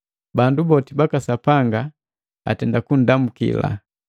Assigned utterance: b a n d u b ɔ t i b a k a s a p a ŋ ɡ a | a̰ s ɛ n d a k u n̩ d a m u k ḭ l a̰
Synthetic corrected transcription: b a n d u b ɔ t i b a k a s a p a ŋ ɡ a | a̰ t ɛ n d a k u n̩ d a m u k ḭ l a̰